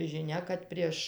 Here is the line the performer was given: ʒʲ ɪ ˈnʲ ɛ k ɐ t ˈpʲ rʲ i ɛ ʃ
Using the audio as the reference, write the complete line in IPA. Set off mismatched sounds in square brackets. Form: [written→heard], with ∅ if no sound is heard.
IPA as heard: ʒʲ ɪ ˈnʲ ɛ k ɐ t ˈpʲ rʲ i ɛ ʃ